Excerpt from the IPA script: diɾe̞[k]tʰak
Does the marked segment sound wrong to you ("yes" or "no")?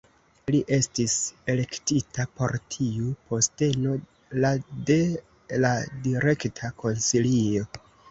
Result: no